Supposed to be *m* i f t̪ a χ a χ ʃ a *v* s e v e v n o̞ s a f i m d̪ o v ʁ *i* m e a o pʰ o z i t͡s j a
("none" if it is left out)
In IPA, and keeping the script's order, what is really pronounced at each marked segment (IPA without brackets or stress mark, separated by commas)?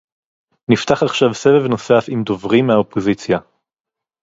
n, v, i